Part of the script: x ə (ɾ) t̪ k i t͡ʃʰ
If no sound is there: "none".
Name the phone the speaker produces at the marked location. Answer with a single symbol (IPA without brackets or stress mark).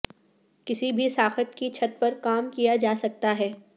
none